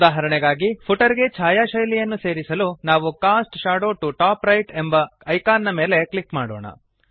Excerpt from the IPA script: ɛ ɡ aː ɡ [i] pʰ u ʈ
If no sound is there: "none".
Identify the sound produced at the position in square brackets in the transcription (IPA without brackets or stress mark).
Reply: i